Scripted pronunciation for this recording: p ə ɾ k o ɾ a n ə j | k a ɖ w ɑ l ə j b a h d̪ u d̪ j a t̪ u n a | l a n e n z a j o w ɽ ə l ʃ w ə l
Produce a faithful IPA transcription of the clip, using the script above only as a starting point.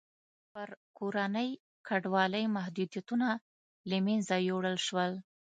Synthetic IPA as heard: p ə ɾ k o ɾ a n ə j | k a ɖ w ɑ l ə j m a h d̪ u d̪ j a t̪ u n a | l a m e n z a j o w ɽ ə l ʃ w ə l